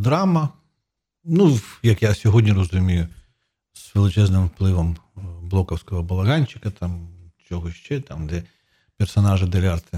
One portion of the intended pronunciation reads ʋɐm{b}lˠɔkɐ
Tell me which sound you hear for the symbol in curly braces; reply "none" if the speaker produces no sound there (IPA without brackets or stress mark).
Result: b